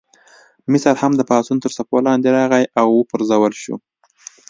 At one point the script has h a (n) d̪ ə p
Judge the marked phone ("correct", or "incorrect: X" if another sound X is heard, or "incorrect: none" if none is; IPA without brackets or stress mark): incorrect: m